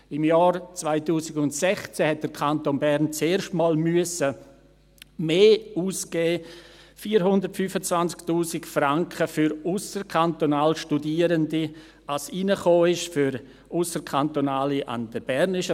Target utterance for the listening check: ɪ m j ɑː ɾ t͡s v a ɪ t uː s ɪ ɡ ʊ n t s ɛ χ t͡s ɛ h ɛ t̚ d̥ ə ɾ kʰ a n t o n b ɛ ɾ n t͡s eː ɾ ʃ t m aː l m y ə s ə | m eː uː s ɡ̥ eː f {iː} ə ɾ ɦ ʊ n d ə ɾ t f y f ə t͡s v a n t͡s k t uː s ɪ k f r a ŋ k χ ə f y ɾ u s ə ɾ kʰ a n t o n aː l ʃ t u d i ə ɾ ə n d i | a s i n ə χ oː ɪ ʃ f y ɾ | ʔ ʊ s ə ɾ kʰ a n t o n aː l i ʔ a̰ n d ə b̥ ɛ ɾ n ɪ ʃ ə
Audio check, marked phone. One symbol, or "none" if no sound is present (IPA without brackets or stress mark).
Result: iː